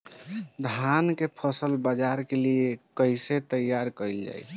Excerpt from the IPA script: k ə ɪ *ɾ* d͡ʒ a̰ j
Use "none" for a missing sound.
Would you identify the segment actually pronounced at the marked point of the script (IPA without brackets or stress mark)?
l